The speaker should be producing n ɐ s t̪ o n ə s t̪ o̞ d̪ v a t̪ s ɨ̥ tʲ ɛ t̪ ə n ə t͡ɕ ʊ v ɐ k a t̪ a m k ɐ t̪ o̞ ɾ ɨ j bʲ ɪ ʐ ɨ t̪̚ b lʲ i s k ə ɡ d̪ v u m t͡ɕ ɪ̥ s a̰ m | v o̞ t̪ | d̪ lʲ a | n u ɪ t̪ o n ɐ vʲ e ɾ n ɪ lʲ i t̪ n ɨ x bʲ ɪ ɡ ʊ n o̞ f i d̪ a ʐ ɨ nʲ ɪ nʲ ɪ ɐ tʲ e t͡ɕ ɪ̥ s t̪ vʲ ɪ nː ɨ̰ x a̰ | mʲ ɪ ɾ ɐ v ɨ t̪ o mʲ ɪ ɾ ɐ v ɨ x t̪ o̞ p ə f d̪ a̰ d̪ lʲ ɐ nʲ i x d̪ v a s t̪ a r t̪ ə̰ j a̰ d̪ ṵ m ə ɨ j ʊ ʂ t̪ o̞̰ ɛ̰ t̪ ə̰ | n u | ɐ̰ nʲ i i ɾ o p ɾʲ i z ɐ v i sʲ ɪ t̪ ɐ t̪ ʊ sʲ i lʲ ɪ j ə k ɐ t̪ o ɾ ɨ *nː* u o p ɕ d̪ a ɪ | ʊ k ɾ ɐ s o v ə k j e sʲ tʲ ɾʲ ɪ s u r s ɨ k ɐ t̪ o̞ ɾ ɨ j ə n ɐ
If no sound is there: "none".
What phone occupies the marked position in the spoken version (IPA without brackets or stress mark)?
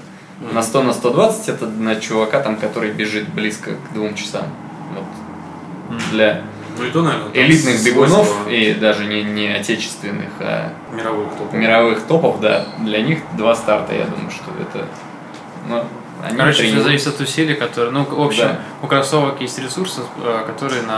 n